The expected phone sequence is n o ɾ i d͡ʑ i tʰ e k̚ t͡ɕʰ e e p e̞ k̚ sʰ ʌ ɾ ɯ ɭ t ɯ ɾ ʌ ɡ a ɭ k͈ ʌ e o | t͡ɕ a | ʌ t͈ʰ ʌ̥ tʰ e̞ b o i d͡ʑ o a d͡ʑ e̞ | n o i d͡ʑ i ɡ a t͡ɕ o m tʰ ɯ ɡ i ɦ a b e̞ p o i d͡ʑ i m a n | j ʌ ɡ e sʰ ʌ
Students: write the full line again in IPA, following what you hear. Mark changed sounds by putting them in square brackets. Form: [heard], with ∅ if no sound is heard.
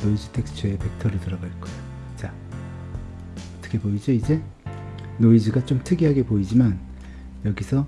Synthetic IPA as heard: n o [∅] i d͡ʑ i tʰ e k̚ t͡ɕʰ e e p e̞ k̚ [tʰ] ʌ ɾ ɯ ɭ t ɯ ɾ ʌ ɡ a ɭ k͈ ʌ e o | t͡ɕ a | ʌ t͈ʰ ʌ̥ [kʰ] e̞ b o i d͡ʑ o [i] d͡ʑ e̞ | n o i d͡ʑ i ɡ a t͡ɕ o m tʰ ɯ ɡ i ɦ a [ɡ] e̞ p o i d͡ʑ i m a n | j ʌ ɡ [i] sʰ ʌ